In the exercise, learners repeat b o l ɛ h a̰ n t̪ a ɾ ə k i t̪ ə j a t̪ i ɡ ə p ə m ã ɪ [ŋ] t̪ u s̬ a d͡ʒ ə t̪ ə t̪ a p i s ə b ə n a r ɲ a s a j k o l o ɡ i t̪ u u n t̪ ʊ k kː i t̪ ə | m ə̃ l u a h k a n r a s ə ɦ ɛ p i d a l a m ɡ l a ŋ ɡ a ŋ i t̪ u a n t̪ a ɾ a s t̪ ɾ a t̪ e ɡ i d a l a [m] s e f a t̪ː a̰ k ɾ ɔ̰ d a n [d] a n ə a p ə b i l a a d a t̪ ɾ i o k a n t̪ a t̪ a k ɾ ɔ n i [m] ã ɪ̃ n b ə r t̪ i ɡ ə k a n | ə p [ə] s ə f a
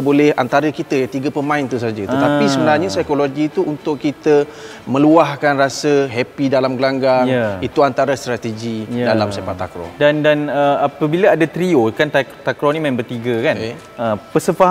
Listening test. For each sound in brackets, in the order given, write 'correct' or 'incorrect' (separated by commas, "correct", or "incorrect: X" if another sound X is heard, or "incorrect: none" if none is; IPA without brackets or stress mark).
incorrect: n, correct, correct, correct, correct